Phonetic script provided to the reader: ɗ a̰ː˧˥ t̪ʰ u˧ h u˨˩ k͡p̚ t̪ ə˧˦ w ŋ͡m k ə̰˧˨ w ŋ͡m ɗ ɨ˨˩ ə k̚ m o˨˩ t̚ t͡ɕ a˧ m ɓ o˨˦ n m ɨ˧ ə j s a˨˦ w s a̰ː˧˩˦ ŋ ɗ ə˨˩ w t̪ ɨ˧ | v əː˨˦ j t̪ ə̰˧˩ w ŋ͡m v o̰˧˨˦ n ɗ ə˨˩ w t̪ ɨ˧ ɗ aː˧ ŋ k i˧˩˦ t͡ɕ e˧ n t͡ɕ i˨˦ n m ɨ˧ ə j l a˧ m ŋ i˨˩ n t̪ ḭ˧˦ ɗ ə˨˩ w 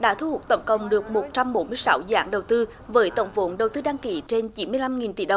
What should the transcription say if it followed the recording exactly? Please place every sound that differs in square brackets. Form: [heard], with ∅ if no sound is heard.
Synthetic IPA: ɗ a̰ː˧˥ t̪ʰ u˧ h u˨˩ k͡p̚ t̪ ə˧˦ w ŋ͡m k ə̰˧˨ w ŋ͡m ɗ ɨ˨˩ ə k̚ m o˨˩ t̚ t͡ɕ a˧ m ɓ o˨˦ n m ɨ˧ ə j s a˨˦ w [z] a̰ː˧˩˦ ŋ ɗ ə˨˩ w t̪ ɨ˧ | v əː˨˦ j t̪ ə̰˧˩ w ŋ͡m v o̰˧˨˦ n ɗ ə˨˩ w t̪ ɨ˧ ɗ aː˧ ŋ k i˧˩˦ t͡ɕ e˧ n t͡ɕ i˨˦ n m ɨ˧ ə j l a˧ m ŋ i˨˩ n t̪ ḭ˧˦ ɗ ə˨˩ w